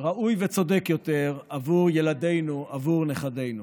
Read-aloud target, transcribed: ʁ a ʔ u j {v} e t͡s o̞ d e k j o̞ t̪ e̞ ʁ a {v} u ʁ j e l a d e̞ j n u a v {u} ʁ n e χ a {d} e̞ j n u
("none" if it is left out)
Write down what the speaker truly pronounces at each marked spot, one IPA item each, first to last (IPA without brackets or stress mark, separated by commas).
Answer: v, v, u, d